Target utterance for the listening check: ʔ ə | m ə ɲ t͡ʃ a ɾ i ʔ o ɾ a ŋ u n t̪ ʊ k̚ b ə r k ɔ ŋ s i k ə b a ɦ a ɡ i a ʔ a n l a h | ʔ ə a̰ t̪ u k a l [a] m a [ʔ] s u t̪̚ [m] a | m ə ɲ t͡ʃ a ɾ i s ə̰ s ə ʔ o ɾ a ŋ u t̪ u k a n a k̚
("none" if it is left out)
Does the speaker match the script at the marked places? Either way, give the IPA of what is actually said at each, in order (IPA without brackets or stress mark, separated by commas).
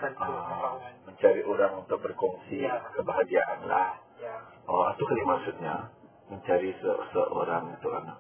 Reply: i, k, ɲ